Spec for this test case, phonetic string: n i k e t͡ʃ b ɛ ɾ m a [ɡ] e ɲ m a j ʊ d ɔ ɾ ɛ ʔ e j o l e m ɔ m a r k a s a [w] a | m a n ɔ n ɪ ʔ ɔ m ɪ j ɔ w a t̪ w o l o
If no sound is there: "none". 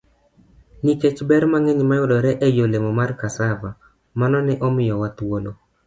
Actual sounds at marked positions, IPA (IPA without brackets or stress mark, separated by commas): ŋ, v